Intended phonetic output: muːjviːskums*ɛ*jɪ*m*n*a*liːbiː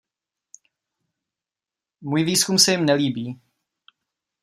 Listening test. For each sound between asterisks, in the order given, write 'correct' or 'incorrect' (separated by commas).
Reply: correct, correct, incorrect